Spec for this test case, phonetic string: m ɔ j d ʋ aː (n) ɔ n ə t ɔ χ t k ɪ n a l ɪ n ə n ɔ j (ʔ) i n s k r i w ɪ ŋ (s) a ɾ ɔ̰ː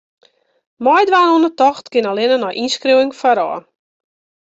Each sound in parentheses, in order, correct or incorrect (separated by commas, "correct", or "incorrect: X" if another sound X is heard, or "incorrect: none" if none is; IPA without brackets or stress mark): correct, correct, incorrect: f